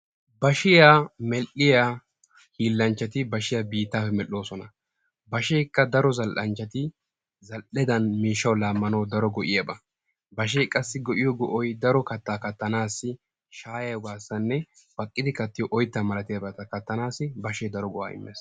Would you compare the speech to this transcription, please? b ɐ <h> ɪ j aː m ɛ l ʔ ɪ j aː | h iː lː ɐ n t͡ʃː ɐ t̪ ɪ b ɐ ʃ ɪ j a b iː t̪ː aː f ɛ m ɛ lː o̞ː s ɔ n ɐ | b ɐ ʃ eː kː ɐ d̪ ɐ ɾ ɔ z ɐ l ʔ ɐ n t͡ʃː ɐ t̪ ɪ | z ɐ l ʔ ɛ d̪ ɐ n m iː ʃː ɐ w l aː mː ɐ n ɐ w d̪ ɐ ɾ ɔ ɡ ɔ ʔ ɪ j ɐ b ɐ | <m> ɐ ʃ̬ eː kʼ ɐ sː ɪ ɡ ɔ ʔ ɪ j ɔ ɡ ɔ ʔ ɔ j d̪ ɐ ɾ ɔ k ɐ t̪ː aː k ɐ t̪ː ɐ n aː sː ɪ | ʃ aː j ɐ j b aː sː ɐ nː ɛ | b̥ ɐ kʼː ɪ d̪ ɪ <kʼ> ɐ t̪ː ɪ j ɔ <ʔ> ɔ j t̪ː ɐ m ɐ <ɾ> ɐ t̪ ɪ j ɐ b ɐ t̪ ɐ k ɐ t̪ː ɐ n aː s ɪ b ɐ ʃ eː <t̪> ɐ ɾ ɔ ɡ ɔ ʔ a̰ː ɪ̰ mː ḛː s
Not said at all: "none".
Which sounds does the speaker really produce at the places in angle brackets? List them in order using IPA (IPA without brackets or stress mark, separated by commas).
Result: ʃ, b, k, ʔ, l, d̪